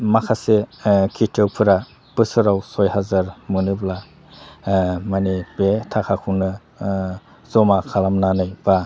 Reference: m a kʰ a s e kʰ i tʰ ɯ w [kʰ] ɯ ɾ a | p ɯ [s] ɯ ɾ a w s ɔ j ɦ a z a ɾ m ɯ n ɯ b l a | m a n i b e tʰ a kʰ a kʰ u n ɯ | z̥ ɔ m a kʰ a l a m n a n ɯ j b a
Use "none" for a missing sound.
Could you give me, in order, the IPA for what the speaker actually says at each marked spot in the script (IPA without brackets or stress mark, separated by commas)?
pʰ, s